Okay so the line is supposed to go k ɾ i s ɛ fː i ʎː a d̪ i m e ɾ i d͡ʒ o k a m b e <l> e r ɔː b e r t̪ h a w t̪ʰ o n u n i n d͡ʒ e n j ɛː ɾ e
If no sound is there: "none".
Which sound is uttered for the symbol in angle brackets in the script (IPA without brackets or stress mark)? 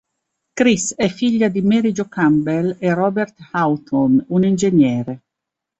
l